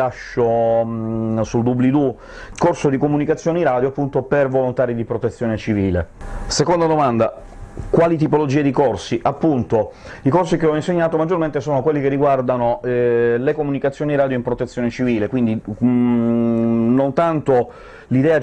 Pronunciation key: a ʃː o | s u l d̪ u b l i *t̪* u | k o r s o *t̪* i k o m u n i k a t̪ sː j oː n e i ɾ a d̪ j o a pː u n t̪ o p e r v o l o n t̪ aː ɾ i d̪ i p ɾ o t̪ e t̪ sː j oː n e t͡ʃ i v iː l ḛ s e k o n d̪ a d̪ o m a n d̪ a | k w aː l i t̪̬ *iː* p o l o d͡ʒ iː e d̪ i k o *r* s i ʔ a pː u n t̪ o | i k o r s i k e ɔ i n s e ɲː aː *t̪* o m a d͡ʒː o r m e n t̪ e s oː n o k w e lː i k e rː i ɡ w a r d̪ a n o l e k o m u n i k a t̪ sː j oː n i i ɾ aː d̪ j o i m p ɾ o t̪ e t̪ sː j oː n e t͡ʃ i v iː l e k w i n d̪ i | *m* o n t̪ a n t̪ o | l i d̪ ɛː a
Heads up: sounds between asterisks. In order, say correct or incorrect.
incorrect, incorrect, incorrect, correct, correct, incorrect

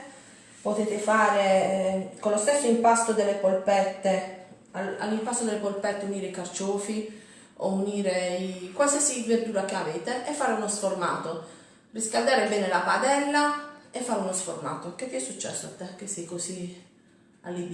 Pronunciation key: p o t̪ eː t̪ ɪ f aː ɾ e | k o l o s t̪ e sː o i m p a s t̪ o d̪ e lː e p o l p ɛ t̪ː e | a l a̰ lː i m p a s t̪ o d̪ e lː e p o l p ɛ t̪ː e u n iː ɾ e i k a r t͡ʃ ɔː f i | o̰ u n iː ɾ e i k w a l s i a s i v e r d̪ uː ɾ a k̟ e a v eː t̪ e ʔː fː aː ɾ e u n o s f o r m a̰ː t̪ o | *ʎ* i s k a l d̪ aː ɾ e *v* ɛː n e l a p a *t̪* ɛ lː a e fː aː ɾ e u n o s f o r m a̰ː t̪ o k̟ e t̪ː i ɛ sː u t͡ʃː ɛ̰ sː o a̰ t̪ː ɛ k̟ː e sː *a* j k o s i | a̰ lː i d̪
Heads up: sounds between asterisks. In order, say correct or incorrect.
incorrect, incorrect, incorrect, incorrect

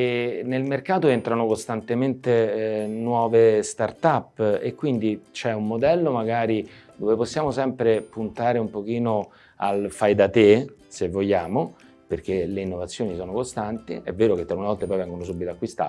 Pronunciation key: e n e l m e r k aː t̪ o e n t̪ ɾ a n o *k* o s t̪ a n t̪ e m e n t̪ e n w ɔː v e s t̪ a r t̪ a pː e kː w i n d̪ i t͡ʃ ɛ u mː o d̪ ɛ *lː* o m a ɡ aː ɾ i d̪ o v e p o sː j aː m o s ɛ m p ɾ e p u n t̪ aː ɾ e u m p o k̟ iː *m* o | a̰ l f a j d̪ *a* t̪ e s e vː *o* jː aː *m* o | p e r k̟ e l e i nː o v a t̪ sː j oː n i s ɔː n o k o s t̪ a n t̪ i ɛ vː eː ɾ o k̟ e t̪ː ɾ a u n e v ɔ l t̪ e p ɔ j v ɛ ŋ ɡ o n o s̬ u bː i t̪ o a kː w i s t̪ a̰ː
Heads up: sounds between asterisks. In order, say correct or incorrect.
correct, correct, incorrect, correct, correct, correct

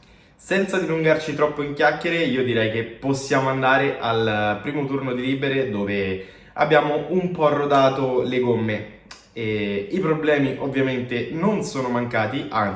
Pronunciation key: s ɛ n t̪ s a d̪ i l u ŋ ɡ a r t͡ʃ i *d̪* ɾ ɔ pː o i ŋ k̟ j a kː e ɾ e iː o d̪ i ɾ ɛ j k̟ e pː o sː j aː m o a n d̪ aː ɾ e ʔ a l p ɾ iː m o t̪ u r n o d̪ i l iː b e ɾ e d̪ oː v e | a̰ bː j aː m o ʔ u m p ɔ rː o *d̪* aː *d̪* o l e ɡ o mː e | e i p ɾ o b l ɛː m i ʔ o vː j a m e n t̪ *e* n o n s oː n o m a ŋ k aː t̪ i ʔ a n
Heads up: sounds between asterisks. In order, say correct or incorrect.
incorrect, correct, incorrect, correct

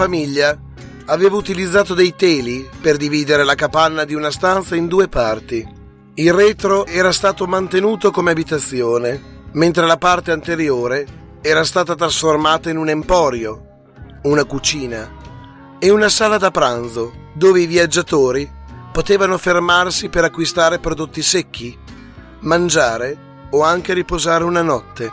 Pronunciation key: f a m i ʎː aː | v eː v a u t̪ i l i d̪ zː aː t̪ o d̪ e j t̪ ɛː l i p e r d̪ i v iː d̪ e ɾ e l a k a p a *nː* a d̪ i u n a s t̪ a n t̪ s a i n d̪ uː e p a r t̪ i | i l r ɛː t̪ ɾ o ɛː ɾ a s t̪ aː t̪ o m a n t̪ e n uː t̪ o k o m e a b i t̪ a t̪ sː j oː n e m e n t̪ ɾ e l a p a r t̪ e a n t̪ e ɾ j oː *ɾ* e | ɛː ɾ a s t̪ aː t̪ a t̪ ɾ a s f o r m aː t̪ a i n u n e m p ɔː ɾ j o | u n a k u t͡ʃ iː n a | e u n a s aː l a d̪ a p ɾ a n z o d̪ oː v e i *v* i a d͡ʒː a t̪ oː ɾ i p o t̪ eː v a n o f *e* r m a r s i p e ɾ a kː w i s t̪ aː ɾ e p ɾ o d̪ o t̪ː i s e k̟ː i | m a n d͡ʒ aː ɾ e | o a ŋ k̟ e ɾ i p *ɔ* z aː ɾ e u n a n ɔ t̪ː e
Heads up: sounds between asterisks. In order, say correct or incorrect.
correct, correct, correct, correct, incorrect

